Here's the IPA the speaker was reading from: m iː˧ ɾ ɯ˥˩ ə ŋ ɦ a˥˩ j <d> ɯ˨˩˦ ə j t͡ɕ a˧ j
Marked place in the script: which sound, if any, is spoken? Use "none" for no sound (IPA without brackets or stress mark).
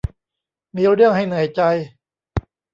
n